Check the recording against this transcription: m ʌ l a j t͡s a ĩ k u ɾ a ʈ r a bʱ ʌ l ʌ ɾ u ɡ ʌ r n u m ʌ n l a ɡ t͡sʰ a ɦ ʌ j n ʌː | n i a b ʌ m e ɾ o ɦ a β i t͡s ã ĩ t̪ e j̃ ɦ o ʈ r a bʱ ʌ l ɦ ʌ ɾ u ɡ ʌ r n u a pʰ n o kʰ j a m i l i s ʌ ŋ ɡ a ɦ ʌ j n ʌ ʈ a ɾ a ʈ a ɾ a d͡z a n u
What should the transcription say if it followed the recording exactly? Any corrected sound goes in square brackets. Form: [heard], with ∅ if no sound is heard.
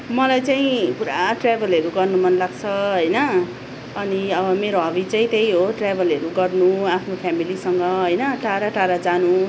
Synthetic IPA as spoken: m ʌ l a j t͡s a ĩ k u ɾ a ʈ r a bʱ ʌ l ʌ ɾ u ɡ ʌ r n u m ʌ n l a ɡ t͡sʰ [ʌ] ɦ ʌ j n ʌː | n i [ʌ] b ʌ m e ɾ o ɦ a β i t͡s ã ĩ t̪ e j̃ ɦ o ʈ r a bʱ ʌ l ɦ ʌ ɾ u ɡ ʌ r n u a pʰ n o [pʰ] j a m i l i s ʌ ŋ ɡ [ʌ] ɦ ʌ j n ʌ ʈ a ɾ a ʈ a ɾ a d͡z a n u